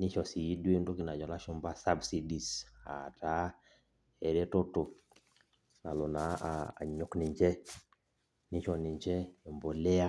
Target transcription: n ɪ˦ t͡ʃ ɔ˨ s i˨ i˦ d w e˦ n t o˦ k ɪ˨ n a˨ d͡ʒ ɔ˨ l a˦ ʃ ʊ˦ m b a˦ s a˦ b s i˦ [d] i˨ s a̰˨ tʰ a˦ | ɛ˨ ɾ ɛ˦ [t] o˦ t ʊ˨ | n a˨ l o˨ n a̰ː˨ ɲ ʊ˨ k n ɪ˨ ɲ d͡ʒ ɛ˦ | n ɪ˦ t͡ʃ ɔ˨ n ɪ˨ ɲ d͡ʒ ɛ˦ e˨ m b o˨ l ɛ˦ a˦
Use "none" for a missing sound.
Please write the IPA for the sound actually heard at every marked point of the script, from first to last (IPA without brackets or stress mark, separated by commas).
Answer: d, t